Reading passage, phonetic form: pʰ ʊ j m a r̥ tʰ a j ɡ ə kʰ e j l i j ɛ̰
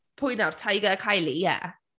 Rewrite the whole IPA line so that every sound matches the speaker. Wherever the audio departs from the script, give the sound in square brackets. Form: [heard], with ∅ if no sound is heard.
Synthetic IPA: pʰ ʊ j [n] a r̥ tʰ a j ɡ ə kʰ [a] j l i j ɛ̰